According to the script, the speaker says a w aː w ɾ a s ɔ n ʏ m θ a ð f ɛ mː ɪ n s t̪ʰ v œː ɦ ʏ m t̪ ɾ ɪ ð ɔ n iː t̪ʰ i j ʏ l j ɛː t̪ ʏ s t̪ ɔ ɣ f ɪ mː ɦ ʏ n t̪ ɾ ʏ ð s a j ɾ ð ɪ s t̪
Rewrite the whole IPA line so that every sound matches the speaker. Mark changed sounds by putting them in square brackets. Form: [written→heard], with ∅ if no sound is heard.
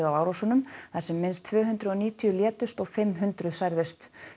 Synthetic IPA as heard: a w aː w ɾ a s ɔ n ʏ m θ a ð [f→s] ɛ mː ɪ n s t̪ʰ v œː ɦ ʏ [m→n] t̪ ɾ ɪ ð ɔ n iː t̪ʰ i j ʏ l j ɛː t̪ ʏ s t̪ ɔ ɣ f ɪ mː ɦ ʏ n t̪ ɾ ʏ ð s a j ɾ ð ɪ s t̪